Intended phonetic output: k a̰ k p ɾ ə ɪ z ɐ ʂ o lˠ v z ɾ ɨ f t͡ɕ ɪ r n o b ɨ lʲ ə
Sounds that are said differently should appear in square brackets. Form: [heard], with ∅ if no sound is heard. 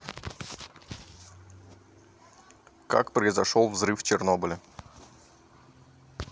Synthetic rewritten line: k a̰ k p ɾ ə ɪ z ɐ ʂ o lˠ v z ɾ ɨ f t͡ɕ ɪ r n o b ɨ lʲ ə